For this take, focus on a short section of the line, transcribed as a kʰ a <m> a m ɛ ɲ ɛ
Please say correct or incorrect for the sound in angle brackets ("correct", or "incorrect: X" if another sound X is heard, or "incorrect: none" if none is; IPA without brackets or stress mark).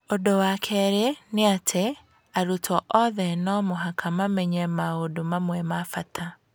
correct